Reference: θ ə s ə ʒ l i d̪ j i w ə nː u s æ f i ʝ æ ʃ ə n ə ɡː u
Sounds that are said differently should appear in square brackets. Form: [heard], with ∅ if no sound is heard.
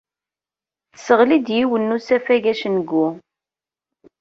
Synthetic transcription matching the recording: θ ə s ə [ʁ] l i d̪ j i w ə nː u s æ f [æ] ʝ æ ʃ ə n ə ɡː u